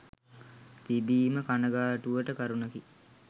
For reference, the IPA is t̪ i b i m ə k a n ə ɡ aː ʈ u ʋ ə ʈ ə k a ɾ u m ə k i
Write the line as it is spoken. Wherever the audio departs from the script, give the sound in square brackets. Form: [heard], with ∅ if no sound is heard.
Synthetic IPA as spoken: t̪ i b [iː] m ə k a n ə ɡ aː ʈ u ʋ ə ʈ ə k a ɾ u [n] ə k i